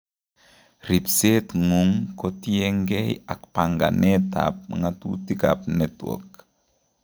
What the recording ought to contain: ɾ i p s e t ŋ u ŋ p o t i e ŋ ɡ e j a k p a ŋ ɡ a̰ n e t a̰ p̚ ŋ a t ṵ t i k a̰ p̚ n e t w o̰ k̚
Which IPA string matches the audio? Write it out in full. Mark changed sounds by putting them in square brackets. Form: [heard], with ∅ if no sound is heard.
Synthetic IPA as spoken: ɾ i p s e t ŋ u ŋ [k] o t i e ŋ ɡ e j a k p a ŋ ɡ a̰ n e t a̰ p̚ ŋ a t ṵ t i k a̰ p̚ n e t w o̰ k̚